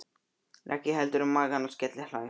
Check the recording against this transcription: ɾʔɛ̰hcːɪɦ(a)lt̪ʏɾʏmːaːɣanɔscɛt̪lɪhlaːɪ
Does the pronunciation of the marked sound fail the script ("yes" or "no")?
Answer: yes